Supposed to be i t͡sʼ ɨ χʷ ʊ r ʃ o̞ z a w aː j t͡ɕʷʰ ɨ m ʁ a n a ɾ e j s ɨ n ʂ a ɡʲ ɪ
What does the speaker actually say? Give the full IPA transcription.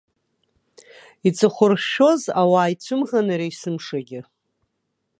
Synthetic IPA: i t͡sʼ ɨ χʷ ʊ r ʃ o̞ z a w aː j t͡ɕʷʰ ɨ m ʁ a n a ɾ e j s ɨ m ʂ a ɡʲ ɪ